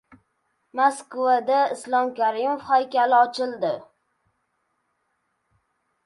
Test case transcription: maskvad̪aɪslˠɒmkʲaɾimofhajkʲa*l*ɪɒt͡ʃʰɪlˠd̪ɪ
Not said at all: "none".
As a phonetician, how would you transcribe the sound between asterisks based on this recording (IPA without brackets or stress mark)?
l